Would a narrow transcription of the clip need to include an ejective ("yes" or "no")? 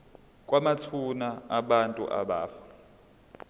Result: yes